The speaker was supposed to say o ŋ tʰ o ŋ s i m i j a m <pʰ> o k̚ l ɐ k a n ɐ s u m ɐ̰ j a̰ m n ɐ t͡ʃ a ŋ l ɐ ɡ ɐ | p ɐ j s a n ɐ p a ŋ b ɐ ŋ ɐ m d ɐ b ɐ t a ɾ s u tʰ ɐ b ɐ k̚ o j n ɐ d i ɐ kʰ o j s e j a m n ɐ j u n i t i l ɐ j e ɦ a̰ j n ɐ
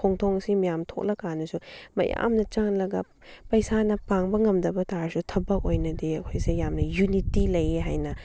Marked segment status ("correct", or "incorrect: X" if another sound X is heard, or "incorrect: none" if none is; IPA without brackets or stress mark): incorrect: tʰ